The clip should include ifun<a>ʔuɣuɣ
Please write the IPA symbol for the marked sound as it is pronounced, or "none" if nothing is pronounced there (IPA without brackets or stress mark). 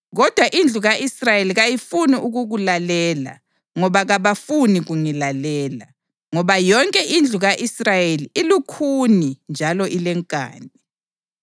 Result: i